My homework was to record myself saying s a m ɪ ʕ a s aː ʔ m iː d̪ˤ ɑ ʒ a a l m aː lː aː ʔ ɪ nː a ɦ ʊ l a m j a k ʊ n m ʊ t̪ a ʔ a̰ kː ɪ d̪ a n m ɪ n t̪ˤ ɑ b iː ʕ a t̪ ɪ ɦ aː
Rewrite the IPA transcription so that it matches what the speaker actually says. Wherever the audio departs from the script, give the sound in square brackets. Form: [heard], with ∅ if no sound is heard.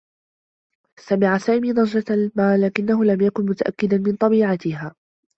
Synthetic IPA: s a m ɪ ʕ a s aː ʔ m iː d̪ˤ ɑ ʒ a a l m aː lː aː [k] ɪ nː a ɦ ʊ l a m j a k ʊ n m ʊ t̪ a ʔ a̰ kː ɪ d̪ a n m ɪ n t̪ˤ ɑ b iː ʕ a t̪ ɪ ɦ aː